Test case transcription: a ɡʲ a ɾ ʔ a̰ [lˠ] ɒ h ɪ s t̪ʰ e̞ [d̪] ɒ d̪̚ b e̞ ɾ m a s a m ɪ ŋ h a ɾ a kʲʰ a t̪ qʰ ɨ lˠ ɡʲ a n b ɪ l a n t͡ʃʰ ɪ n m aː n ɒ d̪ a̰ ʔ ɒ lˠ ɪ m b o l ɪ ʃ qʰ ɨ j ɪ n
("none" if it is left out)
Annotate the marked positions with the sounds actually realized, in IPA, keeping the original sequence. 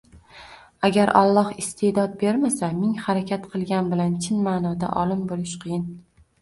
lˠː, d̪

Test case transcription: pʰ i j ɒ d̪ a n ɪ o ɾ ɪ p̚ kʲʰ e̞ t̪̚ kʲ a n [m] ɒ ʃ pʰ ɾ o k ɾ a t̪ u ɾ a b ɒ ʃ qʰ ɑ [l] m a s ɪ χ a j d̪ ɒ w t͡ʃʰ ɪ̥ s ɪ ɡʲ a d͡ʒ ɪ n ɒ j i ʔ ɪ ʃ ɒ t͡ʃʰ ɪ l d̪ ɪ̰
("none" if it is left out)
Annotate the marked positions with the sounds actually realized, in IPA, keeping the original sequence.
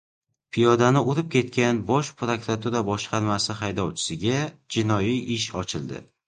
b, ɾ

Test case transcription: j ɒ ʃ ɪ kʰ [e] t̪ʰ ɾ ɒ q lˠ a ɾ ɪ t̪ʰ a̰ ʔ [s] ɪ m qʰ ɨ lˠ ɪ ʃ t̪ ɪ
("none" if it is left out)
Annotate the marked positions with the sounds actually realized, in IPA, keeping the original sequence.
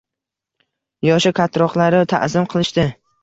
a, z

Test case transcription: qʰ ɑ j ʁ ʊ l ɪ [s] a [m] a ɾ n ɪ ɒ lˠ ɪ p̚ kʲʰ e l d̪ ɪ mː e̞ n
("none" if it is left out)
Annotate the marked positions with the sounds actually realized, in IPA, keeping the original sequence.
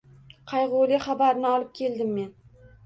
χ, b

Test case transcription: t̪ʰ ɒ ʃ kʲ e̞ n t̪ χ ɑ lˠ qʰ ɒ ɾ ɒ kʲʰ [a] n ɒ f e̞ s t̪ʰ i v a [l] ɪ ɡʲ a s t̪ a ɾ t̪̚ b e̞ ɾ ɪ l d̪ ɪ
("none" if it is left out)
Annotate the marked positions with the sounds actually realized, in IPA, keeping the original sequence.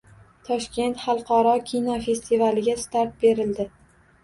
i, l

